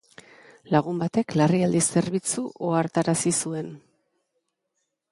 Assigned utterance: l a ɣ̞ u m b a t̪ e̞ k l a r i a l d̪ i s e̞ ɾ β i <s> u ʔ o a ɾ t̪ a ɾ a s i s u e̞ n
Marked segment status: incorrect: t͡s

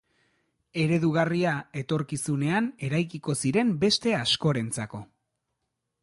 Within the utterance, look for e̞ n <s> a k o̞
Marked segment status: incorrect: t͡s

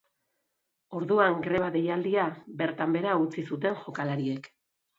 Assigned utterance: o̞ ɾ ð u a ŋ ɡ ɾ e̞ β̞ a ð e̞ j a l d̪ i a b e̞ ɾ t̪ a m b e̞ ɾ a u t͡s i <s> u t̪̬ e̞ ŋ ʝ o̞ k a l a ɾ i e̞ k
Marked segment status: correct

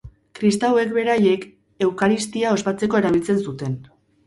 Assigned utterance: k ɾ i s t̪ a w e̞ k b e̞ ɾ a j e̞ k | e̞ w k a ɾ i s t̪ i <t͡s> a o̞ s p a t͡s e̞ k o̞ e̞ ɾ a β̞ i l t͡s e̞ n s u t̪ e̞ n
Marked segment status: incorrect: none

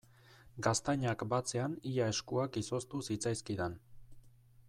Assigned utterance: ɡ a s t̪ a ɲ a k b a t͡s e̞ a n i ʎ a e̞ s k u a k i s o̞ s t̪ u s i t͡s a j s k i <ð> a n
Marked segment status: correct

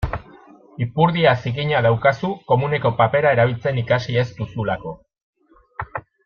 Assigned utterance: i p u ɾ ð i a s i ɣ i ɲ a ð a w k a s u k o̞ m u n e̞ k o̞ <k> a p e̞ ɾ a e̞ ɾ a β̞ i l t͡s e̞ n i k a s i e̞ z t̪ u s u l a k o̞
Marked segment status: incorrect: p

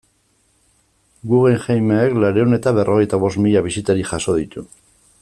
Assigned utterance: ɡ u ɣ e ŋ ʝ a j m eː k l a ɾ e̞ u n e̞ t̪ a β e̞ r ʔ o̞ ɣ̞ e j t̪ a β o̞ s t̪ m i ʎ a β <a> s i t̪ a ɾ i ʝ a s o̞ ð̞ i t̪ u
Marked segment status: incorrect: i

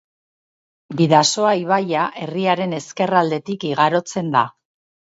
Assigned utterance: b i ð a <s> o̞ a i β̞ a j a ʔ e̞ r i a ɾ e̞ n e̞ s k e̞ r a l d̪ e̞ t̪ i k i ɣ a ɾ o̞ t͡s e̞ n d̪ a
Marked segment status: correct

